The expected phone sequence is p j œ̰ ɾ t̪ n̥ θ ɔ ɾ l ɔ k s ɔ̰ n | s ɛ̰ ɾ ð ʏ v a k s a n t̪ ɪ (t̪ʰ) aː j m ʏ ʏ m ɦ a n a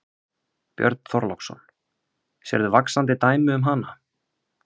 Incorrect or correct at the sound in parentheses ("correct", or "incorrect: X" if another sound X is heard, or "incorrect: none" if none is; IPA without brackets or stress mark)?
incorrect: t̪